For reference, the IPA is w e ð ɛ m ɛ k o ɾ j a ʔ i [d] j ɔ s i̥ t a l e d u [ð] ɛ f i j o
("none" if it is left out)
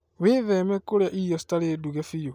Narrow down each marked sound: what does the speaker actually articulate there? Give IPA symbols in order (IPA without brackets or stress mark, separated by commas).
none, ɣ